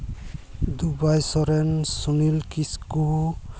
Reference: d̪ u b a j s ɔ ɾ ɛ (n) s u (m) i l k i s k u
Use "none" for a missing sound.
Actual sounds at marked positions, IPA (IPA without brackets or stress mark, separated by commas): n, n